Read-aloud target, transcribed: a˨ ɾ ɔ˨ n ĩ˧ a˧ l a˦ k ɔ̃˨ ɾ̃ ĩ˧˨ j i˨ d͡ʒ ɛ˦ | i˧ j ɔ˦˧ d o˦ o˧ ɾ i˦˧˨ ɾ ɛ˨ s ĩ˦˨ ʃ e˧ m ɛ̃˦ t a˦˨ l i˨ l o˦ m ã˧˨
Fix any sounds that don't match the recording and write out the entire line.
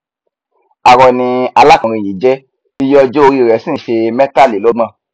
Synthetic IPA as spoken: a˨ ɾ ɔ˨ n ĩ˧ a˧ l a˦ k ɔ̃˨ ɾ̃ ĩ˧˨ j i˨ d͡ʒ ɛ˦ | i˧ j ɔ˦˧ d͡ʒ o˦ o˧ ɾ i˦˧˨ ɾ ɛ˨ s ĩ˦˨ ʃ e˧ m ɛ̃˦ t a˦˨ l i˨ l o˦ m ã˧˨

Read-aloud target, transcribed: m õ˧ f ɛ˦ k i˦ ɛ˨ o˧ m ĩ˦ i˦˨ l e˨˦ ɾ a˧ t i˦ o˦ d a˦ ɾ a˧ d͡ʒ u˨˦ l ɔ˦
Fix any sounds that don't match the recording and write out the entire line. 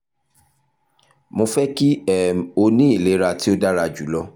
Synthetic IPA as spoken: m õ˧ f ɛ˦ k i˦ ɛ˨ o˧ n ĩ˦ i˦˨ l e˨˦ ɾ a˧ t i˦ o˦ d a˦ ɾ a˧ d͡ʒ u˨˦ l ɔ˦

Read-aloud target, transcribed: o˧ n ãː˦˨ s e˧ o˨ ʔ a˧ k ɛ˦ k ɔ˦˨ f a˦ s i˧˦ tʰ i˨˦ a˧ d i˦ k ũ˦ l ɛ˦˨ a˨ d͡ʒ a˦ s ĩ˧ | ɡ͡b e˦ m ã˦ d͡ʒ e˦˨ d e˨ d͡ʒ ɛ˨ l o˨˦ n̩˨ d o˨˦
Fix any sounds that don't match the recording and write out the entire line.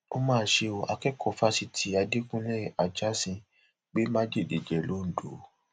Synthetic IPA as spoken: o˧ m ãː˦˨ ʃ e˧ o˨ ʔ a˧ k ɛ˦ k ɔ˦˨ f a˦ s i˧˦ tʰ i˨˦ a˧ d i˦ k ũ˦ l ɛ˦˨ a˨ d͡ʒ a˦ s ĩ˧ | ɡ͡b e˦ m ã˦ d͡ʒ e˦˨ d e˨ d͡ʒ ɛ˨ l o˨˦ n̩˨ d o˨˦

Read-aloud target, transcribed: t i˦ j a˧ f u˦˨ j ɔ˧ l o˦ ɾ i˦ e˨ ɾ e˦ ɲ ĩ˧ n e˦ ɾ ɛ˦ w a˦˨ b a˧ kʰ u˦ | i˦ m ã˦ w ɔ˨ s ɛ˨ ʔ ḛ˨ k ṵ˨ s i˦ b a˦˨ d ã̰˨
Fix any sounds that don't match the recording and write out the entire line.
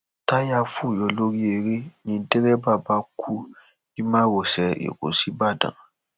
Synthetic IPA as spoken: t a˦ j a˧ f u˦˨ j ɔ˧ l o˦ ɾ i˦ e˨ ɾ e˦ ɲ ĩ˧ d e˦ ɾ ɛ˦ b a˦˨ b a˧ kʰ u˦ | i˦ m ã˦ w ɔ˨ s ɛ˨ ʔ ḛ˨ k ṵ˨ s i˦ b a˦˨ d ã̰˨

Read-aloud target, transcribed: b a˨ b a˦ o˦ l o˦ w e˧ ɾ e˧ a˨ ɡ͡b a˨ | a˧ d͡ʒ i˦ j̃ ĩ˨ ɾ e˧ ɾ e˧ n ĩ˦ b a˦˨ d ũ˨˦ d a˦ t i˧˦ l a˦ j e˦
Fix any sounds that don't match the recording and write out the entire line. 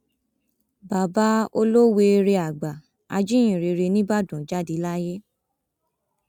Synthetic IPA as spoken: b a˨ b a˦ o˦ l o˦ w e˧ ɾ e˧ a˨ ɡ͡b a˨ | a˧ d͡ʒ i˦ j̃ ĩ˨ ɾ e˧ ɾ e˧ n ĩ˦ b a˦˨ d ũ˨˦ d͡ʒ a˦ d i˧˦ l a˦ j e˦

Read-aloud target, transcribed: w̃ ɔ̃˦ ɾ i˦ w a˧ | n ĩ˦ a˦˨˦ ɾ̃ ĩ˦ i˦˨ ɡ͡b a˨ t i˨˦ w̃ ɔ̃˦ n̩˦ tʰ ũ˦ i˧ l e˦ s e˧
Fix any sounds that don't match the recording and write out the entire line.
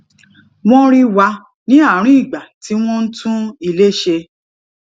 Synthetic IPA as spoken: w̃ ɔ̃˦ ɾ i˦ w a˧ | n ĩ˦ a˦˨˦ ɾ̃ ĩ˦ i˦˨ ɡ͡b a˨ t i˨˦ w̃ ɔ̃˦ n̩˦ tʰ ũ˦ i˧ l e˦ ʃ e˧

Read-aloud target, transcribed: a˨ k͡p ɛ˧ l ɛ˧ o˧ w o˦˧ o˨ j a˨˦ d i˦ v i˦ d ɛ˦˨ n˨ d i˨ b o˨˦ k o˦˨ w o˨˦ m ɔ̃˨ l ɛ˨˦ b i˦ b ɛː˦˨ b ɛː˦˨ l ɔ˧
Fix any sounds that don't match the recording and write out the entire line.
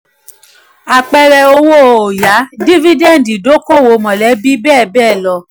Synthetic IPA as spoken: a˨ k͡p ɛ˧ ɾ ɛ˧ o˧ w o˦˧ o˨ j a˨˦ d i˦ v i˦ d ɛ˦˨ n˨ d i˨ d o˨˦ k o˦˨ w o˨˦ m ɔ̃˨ l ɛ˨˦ b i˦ b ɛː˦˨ b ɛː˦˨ l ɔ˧

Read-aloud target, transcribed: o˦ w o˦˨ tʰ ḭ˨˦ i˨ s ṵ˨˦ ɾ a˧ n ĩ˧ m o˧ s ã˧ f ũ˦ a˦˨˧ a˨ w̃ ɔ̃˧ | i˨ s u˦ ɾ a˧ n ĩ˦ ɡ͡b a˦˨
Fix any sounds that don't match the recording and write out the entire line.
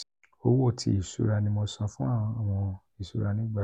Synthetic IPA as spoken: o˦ w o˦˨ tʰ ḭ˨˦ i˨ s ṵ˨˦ ɾ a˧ n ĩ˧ m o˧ s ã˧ f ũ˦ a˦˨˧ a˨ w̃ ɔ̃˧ | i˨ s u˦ ɾ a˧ n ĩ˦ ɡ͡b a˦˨

